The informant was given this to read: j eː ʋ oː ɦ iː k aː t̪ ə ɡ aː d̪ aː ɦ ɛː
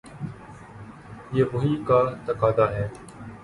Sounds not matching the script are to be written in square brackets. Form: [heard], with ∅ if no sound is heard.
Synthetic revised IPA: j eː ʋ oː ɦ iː k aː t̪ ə [k] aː d̪ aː ɦ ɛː